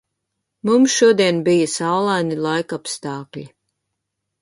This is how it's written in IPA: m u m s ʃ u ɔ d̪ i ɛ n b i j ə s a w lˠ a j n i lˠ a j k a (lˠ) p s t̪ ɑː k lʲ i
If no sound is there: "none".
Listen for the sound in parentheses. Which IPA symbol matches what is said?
none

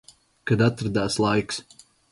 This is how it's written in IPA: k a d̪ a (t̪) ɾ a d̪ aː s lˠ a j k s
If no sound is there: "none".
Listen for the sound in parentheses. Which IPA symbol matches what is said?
t̪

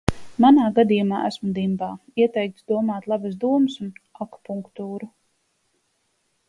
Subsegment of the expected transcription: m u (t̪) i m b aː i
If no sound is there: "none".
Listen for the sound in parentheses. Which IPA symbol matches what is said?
d̪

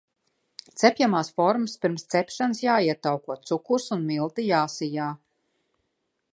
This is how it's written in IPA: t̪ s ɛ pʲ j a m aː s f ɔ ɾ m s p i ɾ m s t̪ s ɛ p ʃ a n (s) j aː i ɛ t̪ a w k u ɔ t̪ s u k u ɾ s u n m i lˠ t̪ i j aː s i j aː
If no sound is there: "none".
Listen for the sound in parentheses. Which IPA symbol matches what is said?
s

